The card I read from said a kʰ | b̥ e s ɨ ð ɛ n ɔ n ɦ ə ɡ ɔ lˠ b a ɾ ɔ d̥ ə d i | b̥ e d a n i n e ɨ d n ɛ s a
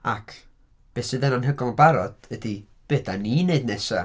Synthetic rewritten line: a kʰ | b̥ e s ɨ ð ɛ n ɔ n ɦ ə ɡ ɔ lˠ b a ɾ ɔ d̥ ə d i | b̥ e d a n i n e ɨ d n ɛ s a